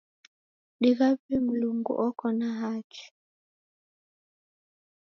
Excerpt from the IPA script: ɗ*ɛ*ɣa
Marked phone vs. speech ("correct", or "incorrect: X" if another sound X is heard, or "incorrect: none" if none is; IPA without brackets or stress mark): incorrect: i